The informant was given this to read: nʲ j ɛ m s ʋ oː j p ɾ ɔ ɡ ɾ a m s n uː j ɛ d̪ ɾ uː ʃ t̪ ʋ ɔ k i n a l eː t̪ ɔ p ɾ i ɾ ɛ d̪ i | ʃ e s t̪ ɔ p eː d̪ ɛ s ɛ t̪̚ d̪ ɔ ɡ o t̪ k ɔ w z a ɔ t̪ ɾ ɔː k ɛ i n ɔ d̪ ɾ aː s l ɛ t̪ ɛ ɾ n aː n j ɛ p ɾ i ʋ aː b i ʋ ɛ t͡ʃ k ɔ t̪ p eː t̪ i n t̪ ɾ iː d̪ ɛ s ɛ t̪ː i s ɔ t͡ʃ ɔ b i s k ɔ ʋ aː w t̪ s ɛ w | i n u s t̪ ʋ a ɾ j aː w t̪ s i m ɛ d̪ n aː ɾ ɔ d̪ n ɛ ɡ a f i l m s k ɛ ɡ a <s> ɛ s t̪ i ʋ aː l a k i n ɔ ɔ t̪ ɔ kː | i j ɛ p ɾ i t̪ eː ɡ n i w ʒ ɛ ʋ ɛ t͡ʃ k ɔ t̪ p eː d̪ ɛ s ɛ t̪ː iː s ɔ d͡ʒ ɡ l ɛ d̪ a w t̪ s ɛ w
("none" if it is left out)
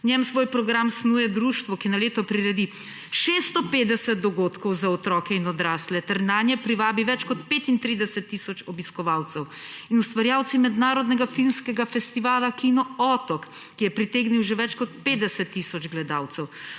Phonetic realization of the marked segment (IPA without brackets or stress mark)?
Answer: f